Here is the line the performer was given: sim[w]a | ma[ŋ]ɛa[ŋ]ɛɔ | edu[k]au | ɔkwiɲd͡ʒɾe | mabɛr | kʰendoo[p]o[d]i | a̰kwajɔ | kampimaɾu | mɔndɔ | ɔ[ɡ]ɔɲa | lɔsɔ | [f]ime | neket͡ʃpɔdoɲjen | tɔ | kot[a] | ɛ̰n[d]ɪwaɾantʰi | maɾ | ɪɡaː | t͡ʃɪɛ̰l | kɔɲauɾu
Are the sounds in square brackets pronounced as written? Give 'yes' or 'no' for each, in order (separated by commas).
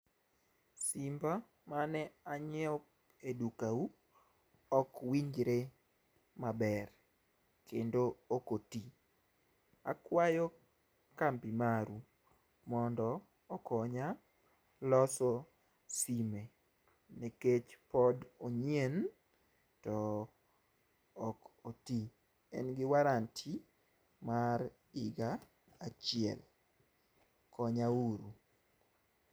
no, no, no, yes, no, no, no, no, no, no